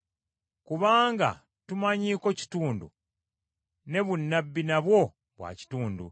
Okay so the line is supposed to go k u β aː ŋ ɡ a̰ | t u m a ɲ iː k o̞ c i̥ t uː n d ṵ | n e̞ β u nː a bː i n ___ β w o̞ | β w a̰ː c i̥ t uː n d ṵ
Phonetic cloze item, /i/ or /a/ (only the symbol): a